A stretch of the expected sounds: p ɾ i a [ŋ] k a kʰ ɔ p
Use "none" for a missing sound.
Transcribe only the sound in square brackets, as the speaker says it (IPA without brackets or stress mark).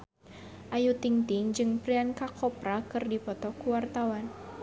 n